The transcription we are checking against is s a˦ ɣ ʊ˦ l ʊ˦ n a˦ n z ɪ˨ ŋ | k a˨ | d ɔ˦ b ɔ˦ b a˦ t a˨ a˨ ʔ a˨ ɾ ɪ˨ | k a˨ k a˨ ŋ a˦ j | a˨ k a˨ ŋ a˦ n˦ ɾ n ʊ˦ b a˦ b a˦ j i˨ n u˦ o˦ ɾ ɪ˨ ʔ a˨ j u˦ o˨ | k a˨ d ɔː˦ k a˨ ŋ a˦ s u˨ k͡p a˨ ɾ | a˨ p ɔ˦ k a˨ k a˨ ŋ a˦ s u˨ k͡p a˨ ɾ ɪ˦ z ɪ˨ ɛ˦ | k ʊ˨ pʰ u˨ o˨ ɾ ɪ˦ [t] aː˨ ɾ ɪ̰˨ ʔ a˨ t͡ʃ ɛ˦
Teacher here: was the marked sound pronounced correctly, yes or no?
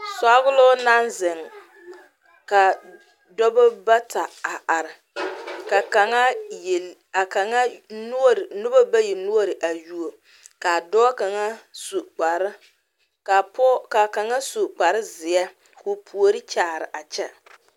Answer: no